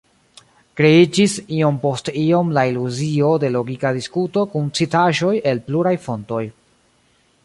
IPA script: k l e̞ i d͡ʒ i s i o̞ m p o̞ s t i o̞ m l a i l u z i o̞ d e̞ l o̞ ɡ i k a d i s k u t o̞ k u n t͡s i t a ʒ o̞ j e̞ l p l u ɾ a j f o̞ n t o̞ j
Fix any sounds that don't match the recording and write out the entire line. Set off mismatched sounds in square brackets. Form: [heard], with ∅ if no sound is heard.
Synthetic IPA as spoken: k [ɾ] e̞ i d͡ʒ i s i o̞ m p o̞ s t i o̞ m l a i l u z i o̞ d e̞ l o̞ ɡ i k a d i s k u t o̞ k u n t͡s i t a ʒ o̞ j e̞ l p l u ɾ a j f o̞ n t o̞ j